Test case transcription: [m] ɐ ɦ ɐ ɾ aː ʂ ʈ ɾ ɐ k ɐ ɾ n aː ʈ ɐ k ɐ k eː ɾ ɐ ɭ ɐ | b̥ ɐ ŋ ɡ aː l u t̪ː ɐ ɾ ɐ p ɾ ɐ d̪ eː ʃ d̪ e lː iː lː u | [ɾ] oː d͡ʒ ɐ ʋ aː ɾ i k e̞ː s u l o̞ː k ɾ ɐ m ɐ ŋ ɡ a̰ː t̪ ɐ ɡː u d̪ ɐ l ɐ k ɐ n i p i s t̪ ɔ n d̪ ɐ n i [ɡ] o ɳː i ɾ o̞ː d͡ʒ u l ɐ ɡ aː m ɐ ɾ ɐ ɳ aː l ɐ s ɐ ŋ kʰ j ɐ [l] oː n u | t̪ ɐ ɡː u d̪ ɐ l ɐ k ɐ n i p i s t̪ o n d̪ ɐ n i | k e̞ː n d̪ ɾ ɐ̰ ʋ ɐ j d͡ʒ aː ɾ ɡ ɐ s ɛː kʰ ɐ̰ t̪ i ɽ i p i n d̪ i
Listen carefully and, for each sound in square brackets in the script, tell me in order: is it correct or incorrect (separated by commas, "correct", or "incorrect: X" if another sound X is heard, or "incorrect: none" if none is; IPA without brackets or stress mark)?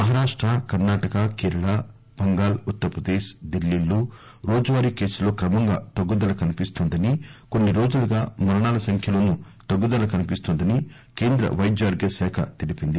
correct, correct, incorrect: k, correct